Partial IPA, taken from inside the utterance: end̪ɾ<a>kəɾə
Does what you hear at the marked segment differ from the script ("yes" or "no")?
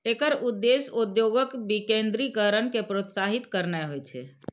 yes